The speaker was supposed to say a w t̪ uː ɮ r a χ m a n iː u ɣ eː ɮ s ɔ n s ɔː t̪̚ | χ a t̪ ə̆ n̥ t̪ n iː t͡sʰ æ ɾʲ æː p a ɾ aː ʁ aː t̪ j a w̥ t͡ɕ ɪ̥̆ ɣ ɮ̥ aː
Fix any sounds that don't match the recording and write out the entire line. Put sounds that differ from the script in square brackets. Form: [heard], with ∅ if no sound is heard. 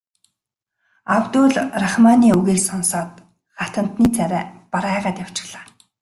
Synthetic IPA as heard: a w t̪ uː ɮ r a χ m a n iː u ɣ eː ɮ s ɔ n s ɔː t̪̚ | χ a t̪ ə̆ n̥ t̪ n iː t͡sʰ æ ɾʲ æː p a ɾ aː ʁ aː t̪ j a w̥ t͡ɕ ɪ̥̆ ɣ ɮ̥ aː

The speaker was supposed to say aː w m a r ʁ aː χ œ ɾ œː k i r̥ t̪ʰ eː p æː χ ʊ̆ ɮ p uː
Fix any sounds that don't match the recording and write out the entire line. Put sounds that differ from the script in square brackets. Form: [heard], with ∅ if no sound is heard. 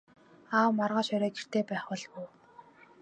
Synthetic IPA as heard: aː w m a r ʁ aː [ʃ] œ ɾ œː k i r̥ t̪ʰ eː p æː χ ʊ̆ ɮ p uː

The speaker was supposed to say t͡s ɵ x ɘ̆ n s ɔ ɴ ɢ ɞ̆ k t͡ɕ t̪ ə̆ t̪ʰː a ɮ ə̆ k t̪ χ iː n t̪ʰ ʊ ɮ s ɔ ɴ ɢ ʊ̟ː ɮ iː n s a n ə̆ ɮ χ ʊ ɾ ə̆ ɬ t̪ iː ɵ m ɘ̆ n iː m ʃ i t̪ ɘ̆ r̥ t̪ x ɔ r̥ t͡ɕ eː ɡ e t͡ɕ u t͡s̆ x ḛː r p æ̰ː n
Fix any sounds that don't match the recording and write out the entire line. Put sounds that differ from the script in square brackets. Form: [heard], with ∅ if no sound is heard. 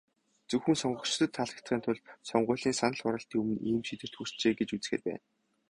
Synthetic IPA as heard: t͡s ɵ x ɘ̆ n s ɔ ɴ ɢ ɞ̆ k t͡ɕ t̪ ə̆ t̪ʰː a ɮ ə̆ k t̪ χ iː n t̪ʰ ʊ ɮ s ɔ ɴ ɢ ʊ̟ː ɮ iː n s a n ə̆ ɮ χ ʊ ɾ ə̆ ɬ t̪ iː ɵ m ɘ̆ n iː m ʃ i t̪ ɘ̆ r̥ t̪ x [u] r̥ t͡ɕ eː ɡ e t͡ɕ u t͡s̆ x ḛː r p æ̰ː n

